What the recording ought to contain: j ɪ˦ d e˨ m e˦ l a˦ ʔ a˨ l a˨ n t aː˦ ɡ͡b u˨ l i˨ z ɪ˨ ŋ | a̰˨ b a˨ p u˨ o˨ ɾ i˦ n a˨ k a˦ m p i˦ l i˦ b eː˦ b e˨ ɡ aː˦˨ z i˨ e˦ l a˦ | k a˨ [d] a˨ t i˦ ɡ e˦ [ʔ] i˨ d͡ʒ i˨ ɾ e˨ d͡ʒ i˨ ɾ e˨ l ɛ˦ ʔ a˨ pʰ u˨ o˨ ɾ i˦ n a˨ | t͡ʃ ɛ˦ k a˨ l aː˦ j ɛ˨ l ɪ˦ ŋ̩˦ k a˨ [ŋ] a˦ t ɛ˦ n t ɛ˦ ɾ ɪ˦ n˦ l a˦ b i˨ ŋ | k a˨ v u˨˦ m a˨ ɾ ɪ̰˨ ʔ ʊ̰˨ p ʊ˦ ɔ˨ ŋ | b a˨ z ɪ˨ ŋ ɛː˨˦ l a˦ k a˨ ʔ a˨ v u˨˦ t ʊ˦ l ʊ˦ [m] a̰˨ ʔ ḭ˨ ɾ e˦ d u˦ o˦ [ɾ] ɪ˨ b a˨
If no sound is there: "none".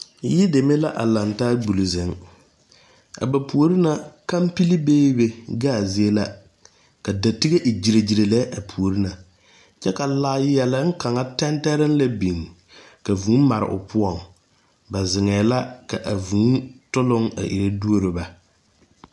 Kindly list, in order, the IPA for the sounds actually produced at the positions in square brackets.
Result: d, ʔ, ŋ, ŋ, ɾ

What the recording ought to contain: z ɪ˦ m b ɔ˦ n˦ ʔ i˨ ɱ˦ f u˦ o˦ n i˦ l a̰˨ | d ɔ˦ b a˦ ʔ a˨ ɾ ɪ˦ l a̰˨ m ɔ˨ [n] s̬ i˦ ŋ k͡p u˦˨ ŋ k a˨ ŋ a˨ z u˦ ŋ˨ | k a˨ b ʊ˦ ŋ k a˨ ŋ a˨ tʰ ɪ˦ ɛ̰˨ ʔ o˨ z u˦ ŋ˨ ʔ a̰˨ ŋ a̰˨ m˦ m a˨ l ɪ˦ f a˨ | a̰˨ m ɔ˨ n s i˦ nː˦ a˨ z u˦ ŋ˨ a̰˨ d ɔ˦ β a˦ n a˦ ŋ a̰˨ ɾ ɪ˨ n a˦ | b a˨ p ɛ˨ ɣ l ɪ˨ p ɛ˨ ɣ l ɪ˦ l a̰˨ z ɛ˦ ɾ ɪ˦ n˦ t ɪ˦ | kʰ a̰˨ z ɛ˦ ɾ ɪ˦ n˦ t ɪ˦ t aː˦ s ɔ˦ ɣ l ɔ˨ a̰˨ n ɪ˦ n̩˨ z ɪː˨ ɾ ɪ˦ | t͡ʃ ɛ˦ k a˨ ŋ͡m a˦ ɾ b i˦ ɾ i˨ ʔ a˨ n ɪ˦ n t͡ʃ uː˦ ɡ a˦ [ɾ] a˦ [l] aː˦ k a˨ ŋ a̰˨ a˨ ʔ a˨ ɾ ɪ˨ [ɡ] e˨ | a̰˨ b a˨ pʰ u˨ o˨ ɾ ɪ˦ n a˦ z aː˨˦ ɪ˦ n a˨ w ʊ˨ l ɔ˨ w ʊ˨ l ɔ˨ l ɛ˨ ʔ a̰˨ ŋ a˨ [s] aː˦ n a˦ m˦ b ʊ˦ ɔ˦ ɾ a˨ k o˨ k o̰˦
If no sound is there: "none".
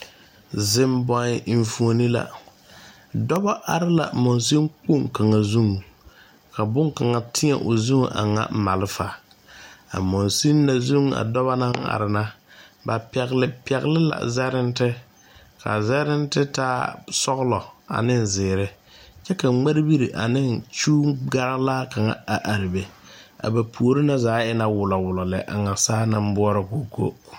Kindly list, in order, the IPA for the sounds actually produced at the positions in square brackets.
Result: n, ɾ, l, b, s

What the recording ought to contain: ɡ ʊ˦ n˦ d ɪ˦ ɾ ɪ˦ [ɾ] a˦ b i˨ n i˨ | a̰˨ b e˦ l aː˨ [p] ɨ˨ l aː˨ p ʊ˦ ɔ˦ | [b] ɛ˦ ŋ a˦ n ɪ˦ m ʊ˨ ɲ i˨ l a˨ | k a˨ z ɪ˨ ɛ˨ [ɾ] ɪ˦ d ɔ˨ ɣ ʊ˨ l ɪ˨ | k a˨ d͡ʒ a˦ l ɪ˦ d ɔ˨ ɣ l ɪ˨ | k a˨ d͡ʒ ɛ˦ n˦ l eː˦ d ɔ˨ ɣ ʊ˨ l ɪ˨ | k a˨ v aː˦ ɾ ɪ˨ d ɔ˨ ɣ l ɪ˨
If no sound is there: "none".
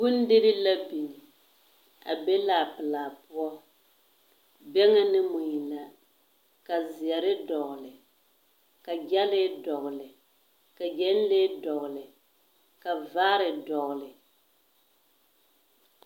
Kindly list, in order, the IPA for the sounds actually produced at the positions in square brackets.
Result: l, p, b, ɾ

